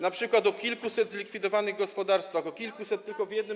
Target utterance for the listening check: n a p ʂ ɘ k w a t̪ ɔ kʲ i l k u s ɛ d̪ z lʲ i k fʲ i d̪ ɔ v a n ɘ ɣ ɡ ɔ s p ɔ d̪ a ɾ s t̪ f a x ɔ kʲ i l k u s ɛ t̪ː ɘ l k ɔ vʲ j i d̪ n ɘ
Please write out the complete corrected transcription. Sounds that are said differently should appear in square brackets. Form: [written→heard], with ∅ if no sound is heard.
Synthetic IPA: n a p ʂ ɘ k w a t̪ ɔ kʲ i l k u s ɛ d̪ z lʲ i k fʲ i d̪ ɔ v a n ɘ ɣ ɡ ɔ s p ɔ d̪ a ɾ s t̪ f a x ɔ kʲ i l k u s ɛ t̪ː ɘ l k ɔ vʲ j [i→ɛ] d̪ n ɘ